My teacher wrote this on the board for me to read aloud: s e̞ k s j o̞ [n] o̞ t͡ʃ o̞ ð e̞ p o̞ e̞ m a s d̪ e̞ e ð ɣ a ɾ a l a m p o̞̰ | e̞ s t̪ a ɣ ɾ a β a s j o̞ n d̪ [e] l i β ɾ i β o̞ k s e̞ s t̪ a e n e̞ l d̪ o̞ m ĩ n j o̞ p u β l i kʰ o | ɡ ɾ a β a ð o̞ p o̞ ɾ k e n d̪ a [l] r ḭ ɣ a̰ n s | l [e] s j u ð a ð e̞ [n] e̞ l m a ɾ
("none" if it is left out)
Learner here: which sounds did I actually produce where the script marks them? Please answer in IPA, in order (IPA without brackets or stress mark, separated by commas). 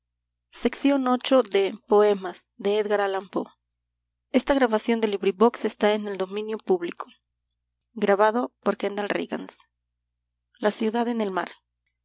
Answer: n, e, l, a, n